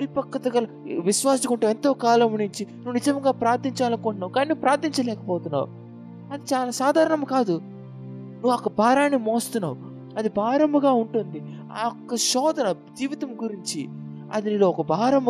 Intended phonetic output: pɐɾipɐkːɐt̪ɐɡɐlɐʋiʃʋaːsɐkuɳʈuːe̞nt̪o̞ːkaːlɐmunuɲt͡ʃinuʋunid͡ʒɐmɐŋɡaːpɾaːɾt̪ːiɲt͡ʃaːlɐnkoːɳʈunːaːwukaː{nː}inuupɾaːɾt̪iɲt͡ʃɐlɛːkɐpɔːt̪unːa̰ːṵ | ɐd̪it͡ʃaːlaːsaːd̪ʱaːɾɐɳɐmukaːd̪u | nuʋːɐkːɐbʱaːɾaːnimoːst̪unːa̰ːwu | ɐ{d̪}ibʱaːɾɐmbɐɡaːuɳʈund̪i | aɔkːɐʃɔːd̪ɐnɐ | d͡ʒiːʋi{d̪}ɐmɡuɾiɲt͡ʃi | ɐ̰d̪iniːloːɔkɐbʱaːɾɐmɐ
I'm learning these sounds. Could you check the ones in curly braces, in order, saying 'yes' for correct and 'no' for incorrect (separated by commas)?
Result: no, yes, no